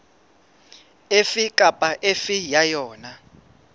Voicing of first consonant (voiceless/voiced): voiceless